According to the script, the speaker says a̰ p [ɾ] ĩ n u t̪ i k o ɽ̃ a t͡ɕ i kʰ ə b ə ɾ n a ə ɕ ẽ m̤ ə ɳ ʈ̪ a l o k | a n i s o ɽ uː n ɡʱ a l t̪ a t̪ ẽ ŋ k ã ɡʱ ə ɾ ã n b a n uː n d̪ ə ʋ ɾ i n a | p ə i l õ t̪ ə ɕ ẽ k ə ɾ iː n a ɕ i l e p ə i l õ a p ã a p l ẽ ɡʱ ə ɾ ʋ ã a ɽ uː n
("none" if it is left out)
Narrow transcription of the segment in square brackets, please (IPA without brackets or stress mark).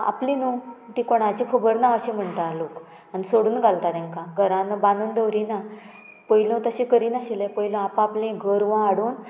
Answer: l